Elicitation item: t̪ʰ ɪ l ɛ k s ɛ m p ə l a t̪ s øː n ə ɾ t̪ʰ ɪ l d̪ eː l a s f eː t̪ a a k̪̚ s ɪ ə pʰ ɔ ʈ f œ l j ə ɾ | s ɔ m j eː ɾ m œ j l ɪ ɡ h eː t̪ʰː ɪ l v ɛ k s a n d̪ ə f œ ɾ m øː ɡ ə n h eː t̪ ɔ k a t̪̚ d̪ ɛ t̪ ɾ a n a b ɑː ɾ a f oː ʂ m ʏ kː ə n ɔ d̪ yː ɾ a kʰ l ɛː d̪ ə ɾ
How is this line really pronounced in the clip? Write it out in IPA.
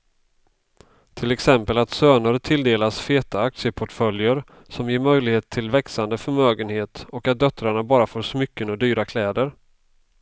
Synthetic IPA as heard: t̪ʰ ɪ l ɛ k s ɛ m p ə l a t̪ s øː n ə ɾ t̪ʰ ɪ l d̪ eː l a s f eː t̪ a a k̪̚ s ɪ ə pʰ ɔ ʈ f œ l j ə ɾ | s ɔ m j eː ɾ m œ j l ɪ ɡ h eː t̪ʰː ɪ l v ɛ k s a n d̪ ə f œ ɾ m øː ɡ ə n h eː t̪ ɔ k a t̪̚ d̪ œ t̪ ɾ a ɳ a b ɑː ɾ a f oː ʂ m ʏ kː ə n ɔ d̪ yː ɾ a kʰ l ɛː d̪ ə ɾ